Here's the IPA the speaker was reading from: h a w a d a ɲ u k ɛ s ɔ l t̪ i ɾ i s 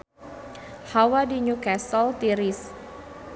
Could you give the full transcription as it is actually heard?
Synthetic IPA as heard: h a w a d i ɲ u k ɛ s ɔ l t̪ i ɾ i s